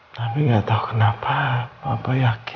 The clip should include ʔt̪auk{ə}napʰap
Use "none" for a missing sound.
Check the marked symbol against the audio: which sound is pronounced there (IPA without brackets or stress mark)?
ə